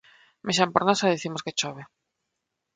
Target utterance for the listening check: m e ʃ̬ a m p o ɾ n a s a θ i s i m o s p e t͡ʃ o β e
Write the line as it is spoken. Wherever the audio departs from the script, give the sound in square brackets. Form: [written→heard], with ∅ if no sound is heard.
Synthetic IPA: m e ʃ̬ a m p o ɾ n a s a [θ→ð] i [s→θ] i m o s [p→k] e t͡ʃ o β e